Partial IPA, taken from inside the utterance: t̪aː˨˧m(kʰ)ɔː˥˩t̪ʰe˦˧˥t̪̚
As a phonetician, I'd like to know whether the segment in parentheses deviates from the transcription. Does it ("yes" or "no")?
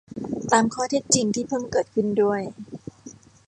no